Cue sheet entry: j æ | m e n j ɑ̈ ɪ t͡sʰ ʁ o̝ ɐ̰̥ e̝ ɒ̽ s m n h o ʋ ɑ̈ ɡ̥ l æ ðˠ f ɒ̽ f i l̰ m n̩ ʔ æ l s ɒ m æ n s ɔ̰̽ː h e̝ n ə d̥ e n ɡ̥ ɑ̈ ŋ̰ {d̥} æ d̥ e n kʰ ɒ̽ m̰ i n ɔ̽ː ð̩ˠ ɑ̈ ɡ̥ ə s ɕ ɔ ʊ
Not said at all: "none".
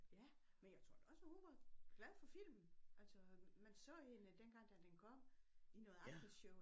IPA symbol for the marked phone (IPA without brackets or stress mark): d̥